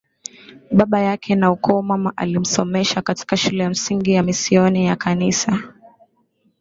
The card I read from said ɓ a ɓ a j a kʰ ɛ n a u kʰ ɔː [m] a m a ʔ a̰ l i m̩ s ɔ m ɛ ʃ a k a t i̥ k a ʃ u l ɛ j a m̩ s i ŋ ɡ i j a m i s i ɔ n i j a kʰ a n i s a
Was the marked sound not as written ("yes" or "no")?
no